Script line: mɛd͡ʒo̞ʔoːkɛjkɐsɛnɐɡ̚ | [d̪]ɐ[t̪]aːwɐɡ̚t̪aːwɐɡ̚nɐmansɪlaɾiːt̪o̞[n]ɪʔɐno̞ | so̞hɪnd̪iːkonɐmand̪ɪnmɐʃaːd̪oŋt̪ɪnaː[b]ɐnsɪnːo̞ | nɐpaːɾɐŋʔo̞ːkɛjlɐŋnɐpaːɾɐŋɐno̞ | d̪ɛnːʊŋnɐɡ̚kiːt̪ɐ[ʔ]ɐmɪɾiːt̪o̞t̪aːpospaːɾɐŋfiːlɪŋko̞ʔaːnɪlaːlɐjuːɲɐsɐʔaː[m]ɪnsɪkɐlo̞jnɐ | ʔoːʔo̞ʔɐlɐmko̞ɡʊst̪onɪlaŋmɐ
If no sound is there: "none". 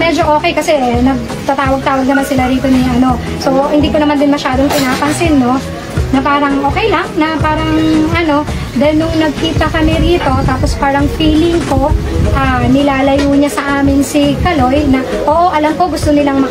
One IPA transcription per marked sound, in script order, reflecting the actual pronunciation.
t̪, t̪, n, p, k, m

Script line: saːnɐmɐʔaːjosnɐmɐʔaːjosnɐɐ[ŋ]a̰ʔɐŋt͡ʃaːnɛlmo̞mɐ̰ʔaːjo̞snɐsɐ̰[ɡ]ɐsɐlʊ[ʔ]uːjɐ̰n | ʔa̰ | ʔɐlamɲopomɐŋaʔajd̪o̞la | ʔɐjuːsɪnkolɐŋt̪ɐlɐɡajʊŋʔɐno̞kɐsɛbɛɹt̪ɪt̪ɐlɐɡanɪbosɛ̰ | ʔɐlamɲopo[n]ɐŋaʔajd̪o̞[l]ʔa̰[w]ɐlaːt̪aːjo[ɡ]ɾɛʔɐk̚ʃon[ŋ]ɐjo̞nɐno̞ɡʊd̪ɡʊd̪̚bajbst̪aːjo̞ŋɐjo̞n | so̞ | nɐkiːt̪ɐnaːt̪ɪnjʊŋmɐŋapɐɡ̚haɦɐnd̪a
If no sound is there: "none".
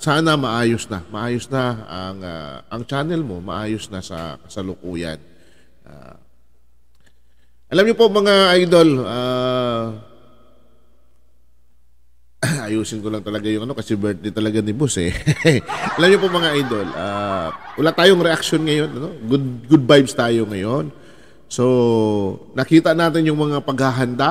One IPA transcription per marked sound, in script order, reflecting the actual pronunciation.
ŋ, k, k, m, l, w, ŋ, ŋ

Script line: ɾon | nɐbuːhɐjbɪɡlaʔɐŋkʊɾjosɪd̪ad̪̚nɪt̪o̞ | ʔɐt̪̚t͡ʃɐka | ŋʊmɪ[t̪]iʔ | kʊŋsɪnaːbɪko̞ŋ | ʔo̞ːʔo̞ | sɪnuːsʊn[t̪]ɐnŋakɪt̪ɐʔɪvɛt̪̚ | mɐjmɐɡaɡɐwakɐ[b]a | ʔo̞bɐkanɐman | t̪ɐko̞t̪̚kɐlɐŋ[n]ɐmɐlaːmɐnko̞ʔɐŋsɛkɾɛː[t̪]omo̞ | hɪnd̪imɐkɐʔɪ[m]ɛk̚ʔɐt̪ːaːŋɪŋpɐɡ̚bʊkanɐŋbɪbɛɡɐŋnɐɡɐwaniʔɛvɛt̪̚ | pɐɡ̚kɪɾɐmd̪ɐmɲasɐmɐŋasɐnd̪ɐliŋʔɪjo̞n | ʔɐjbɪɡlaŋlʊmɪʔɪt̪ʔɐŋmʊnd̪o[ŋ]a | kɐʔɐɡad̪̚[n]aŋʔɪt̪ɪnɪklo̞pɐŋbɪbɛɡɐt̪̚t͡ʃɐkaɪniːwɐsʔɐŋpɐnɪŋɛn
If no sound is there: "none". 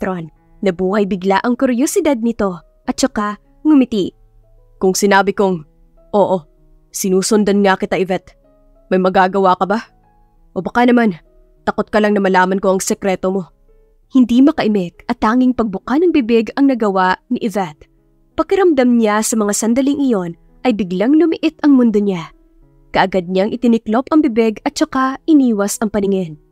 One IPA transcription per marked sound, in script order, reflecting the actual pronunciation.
t̪, d̪, b, n, t̪, m, ɲ, ɲ

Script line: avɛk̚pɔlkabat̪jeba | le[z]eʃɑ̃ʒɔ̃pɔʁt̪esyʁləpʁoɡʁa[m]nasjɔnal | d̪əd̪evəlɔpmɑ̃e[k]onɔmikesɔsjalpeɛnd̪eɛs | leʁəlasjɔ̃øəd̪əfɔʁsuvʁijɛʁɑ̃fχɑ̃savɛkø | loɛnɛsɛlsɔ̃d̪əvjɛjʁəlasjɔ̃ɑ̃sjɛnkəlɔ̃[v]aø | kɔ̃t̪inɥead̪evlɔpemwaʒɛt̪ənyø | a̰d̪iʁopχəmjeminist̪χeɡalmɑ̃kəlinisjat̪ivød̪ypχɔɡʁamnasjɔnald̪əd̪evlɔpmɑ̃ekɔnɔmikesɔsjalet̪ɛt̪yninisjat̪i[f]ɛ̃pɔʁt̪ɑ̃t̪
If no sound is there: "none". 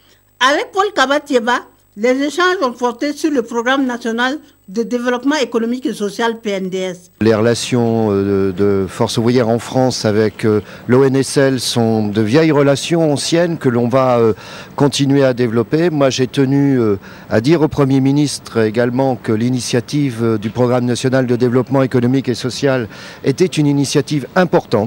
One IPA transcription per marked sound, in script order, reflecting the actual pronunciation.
z, m, k, v, v

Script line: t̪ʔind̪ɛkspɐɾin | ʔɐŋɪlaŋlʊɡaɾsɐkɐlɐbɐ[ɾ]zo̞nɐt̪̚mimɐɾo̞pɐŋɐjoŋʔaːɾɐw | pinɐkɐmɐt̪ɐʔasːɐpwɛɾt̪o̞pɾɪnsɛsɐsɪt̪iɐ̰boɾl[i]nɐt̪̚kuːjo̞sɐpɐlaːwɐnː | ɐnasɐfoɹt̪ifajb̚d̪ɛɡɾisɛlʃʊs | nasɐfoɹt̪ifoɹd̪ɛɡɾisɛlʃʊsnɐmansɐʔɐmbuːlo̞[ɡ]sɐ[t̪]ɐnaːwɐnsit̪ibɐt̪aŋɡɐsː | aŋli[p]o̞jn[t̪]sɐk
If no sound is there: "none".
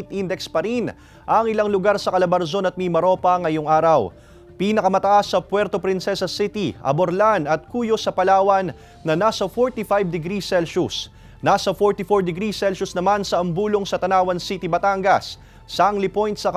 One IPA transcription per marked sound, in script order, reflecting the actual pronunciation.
ɾ, a, ŋ, t̪, p, t̪

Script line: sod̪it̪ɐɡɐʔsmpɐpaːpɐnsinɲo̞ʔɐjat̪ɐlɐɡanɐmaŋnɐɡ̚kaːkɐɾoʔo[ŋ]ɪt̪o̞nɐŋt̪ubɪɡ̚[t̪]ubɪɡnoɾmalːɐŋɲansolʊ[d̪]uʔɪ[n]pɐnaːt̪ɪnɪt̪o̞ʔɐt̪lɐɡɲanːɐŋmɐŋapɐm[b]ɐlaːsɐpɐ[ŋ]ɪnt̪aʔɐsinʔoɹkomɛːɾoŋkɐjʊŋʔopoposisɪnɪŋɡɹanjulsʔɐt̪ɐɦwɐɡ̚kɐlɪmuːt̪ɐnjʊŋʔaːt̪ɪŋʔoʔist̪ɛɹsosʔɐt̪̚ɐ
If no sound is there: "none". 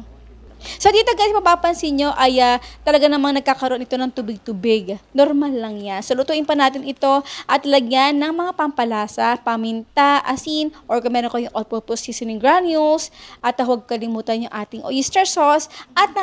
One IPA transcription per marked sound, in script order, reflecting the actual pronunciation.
n, t̪, t̪, n, p, m

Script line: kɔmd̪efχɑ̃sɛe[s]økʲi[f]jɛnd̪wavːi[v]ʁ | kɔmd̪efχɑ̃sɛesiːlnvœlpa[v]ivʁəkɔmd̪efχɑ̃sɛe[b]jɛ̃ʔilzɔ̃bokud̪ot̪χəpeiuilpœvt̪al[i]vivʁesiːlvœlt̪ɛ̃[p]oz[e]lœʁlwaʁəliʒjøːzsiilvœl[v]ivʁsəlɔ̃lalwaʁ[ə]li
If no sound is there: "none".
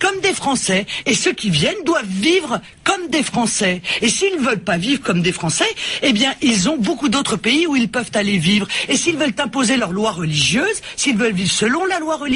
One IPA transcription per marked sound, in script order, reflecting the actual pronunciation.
s, v, v, v, b, e, p, e, v, ə

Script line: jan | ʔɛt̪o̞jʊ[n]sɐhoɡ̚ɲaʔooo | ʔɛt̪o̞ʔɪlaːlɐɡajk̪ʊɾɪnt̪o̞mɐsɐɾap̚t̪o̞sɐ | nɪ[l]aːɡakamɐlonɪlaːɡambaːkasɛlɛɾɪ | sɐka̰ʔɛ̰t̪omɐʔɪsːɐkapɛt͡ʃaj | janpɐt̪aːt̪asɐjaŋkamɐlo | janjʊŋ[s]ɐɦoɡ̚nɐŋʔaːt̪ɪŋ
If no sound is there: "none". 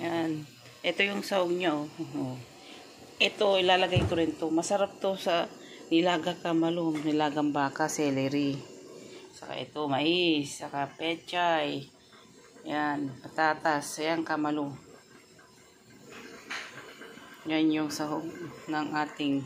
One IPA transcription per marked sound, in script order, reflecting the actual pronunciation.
ŋ, l, s

